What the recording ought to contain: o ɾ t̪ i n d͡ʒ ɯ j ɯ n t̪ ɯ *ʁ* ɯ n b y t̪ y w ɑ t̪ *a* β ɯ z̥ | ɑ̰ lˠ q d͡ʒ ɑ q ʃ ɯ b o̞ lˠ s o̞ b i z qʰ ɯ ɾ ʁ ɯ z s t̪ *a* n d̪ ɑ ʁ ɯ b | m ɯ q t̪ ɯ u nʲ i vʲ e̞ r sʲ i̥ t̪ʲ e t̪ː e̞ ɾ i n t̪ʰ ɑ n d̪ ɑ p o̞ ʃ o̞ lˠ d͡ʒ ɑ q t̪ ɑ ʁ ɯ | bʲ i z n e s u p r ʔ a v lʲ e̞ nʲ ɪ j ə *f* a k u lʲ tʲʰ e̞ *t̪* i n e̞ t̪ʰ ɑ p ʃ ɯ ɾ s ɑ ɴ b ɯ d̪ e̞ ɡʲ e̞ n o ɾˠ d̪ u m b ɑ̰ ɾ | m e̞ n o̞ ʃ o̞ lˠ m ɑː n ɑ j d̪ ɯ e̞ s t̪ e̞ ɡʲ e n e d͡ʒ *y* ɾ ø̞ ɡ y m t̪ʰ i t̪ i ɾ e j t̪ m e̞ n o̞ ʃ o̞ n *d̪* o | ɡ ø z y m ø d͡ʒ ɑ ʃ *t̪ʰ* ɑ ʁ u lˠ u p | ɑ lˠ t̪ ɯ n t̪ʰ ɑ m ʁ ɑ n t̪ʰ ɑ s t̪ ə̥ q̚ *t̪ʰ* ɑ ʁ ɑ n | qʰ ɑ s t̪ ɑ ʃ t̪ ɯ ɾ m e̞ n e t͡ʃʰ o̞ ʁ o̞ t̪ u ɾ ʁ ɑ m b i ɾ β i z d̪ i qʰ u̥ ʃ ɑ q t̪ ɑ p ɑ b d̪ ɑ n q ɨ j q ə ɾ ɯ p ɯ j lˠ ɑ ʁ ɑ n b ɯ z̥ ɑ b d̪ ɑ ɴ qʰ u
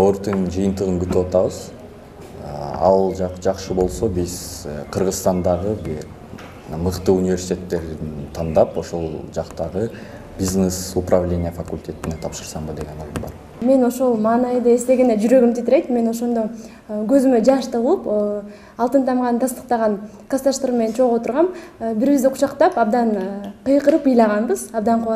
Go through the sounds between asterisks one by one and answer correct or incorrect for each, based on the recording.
correct, incorrect, incorrect, correct, correct, correct, correct, incorrect, incorrect

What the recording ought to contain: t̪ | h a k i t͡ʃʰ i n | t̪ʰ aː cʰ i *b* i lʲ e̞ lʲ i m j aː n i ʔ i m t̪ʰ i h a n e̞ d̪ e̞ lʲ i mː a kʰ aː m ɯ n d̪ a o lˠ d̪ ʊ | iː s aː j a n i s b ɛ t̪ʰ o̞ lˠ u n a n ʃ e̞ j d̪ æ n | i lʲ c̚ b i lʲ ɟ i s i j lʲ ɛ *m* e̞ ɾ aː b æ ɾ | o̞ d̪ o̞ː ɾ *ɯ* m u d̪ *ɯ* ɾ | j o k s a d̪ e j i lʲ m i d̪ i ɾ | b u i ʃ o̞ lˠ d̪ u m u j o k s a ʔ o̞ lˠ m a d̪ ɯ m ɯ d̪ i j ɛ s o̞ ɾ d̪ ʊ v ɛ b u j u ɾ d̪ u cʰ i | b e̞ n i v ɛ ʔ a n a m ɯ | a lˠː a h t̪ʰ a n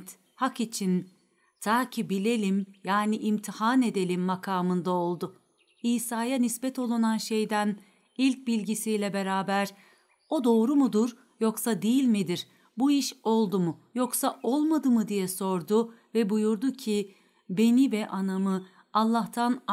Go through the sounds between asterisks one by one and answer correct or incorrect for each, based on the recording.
correct, incorrect, incorrect, incorrect

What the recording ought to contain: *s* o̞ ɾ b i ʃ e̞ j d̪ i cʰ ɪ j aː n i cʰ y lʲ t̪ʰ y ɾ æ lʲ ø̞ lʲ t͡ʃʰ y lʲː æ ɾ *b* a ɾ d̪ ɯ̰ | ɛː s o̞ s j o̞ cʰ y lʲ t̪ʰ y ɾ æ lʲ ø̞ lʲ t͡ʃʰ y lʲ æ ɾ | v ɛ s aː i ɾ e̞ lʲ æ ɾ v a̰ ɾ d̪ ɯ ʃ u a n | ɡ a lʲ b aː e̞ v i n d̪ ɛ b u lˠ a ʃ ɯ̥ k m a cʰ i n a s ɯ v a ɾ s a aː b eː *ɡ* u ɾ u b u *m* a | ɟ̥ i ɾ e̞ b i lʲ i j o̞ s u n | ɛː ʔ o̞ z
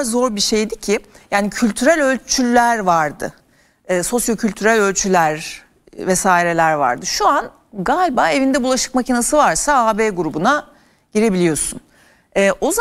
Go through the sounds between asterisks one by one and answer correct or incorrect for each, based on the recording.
incorrect, incorrect, correct, incorrect

